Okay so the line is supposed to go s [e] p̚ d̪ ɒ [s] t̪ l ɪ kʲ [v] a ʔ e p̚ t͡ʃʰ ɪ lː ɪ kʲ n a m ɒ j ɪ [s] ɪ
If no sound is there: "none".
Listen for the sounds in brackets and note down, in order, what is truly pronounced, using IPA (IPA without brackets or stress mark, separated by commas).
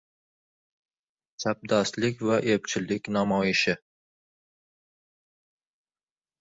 a, s, v, ʃ